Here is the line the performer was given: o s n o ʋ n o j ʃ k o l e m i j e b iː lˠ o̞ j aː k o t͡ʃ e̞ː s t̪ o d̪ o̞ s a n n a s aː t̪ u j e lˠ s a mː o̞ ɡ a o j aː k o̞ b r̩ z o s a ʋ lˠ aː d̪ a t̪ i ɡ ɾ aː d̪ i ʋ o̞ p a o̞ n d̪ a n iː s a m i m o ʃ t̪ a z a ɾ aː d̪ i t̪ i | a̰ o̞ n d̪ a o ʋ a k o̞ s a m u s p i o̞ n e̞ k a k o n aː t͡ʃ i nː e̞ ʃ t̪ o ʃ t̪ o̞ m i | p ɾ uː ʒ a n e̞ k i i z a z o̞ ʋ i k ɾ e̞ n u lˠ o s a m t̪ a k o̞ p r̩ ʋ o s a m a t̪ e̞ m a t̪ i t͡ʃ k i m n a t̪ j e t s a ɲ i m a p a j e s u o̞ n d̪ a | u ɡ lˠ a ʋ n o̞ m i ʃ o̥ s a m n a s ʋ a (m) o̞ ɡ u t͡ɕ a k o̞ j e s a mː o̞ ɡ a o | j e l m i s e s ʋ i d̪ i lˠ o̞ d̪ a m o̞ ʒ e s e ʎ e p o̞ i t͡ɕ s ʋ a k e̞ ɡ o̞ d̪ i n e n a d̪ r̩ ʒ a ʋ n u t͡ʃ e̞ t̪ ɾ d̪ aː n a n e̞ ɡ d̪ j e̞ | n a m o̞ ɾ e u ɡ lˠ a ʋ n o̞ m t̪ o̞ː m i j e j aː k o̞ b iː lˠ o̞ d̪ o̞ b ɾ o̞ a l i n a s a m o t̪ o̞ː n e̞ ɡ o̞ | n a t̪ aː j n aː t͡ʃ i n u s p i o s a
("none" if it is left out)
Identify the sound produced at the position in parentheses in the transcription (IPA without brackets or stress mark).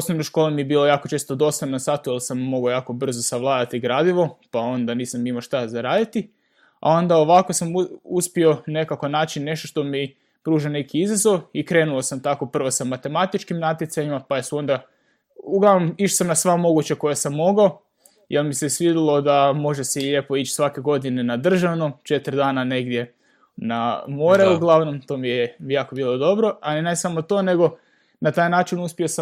m